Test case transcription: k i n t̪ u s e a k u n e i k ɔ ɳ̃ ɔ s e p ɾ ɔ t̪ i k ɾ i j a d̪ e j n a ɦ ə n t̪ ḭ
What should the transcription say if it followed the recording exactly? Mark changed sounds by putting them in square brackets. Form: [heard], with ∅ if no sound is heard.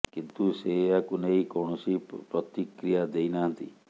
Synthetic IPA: k i n t̪ u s e a k u n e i k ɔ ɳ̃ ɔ s [i] p ɾ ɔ t̪ i k ɾ i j a d̪ e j n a ɦ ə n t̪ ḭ